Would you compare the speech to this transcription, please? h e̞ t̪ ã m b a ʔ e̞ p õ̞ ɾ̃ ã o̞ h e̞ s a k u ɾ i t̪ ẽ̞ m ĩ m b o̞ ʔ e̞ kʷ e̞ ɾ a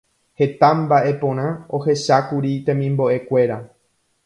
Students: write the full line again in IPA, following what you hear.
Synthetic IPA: h e̞ t̪ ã m b a ʔ e̞ p õ̞ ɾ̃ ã o̞ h e̞ ʃ a k u ɾ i t̪ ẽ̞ m ĩ m b o̞ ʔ e̞ kʷ e̞ ɾ a